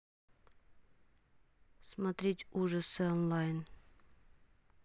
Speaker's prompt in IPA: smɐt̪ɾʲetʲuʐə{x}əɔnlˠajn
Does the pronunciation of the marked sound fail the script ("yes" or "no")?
yes